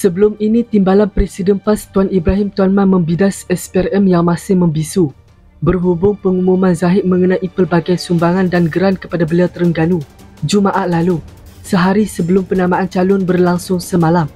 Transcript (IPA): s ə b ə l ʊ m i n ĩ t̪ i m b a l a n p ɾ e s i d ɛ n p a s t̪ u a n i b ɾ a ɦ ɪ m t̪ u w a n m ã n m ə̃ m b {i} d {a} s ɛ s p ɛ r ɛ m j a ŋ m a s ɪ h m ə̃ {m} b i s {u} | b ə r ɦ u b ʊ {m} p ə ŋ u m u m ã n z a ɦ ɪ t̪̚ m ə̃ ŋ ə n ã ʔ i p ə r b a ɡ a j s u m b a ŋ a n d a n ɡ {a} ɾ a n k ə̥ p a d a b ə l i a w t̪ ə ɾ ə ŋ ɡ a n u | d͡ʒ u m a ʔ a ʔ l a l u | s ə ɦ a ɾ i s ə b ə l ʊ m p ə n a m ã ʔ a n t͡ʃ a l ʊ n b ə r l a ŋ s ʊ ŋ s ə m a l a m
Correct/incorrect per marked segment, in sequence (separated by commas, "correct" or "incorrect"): correct, correct, correct, correct, incorrect, incorrect